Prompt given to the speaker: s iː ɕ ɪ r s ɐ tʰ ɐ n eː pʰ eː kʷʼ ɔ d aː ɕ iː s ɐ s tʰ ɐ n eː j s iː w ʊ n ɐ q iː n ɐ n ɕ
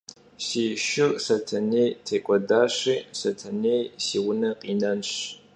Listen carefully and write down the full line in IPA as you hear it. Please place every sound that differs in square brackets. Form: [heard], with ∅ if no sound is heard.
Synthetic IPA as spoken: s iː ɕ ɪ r s ɐ tʰ ɐ n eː [tʰ] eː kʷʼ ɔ d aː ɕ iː s ɐ [∅] tʰ ɐ n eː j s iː w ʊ n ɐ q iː n ɐ n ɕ